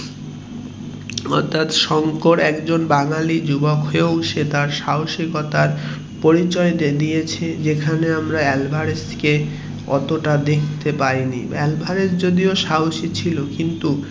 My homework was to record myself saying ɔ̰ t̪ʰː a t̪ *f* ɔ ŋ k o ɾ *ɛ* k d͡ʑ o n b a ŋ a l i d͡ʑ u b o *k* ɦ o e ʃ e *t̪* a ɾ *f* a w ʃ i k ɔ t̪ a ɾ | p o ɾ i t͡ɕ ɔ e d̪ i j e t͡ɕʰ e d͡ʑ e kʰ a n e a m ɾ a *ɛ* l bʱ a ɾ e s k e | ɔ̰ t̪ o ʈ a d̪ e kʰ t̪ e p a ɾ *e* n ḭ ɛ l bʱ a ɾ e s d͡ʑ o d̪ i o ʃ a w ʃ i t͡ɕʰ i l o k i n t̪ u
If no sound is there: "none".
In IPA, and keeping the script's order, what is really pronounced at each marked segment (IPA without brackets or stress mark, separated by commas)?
ʃ, ɛ, k, t̪, ʃ, ɛ, i